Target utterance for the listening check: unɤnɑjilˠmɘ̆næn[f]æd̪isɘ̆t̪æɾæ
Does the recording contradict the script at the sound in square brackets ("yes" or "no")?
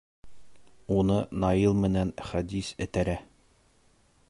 yes